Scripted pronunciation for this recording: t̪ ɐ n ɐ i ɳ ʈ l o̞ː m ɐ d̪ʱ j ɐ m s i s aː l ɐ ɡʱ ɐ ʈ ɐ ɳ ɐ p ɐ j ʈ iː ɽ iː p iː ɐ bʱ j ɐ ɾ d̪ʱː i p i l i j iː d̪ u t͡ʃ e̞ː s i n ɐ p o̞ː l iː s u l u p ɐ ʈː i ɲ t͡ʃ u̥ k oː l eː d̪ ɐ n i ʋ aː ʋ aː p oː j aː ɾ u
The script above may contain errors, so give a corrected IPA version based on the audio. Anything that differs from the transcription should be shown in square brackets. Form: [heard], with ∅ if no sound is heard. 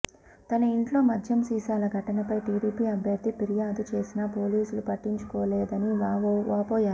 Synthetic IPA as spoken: t̪ ɐ n ɐ i ɳ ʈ l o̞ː m ɐ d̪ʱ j ɐ m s [iː] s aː l ɐ ɡʱ ɐ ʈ ɐ [n] ɐ p ɐ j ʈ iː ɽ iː p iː ɐ bʱ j ɐ ɾ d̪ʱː i p i [ɾ] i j [aː] d̪ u t͡ʃ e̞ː s i n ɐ p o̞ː l iː s u l u p ɐ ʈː i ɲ t͡ʃ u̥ k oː l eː d̪ ɐ n i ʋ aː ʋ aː p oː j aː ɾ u